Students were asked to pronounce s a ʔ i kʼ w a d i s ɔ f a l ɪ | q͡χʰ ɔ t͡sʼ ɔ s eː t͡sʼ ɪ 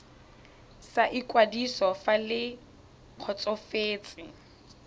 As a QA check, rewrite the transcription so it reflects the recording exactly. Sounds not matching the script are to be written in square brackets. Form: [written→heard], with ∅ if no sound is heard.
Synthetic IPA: s a ʔ i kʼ w a d i s ɔ f a l ɪ | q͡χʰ ɔ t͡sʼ ɔ [s→f] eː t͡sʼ ɪ